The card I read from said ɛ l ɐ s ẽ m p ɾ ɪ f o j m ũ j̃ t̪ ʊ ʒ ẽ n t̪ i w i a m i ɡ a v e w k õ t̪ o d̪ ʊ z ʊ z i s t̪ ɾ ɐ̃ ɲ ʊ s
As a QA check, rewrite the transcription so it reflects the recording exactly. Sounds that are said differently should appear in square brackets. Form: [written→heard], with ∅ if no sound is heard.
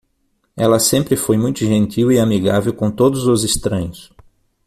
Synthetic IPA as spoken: ɛ l ɐ s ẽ m p ɾ ɪ f o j m ũ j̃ t̪ ʊ ʒ ẽ n t̪ i w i a m i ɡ a v e w k õ t̪ o d̪ ʊ z ʊ z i s t̪ ɾ ɐ̃ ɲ ʊ s